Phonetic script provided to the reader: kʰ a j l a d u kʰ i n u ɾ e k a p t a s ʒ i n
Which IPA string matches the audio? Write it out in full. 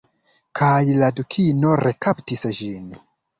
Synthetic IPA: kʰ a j l a d u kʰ i n o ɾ e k a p t i s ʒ i n

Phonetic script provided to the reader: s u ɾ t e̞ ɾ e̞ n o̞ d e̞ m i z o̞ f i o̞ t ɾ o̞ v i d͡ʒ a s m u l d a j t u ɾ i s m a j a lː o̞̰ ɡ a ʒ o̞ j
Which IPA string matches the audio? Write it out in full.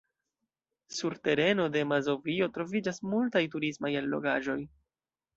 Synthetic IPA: s u ɾ t e̞ ɾ e̞ n o̞ d e̞ m a z o̞ v i o̞ t ɾ o̞ v i d͡ʒ a s m u l t a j t u ɾ i s m a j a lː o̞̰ ɡ a ʒ o̞ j

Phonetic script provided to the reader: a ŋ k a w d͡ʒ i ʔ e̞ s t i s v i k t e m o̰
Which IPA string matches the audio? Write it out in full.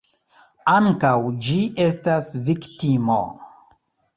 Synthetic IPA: a ŋ k a w d͡ʒ i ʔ e̞ s t a s v i k t i m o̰

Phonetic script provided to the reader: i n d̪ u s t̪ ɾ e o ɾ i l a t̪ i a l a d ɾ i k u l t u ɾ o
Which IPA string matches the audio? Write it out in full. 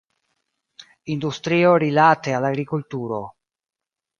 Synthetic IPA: i n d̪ u s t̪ ɾ i o ɾ i l a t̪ e a l a ɡ ɾ i k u l t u ɾ o

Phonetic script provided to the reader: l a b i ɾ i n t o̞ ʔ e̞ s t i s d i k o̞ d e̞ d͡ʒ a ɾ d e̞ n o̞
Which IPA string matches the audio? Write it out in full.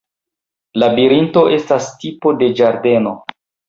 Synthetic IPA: l a b i ɾ i n t o̞ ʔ e̞ s t a s t i p o̞ d e̞ d͡ʒ a ɾ d e̞ n o̞

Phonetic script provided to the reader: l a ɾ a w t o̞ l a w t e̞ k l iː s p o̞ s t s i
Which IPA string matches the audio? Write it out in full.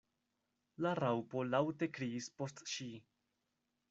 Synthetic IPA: l a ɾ a w p o̞ l a w t e̞ k ɾ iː s p o̞ s t ʃ i

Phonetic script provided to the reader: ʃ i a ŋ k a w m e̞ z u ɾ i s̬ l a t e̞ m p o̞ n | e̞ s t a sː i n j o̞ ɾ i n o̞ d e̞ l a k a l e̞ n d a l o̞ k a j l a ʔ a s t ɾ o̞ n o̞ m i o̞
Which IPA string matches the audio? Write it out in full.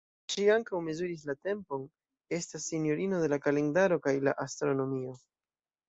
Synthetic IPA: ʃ i a ŋ k a w m e̞ z u ɾ i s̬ l a t e̞ m p o̞ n | e̞ s t a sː i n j o̞ ɾ i n o̞ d e̞ l a k a l e̞ n d a ɾ o̞ k a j l a ʔ a s t ɾ o̞ n o̞ m i o̞

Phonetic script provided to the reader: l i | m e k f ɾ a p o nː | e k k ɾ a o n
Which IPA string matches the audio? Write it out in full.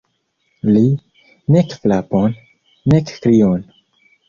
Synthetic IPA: l i | n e k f l a p o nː | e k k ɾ i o n

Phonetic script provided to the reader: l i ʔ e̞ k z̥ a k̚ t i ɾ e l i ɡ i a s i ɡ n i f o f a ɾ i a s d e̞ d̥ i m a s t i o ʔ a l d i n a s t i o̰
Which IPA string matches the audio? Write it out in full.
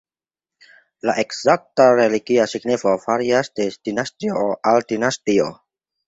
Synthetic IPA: l a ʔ e̞ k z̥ a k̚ t a ɾ e l i ɡ i a s i ɡ n i f o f a ɾ i a s d e̞ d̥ i n a s t i o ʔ a l d i n a s t i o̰

